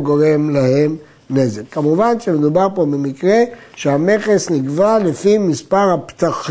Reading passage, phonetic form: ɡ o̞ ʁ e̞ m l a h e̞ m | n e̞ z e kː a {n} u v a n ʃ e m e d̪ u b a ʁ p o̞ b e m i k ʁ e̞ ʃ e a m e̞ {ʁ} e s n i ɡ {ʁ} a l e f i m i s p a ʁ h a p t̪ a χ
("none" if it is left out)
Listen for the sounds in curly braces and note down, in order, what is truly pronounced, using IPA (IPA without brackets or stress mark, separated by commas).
m, χ, v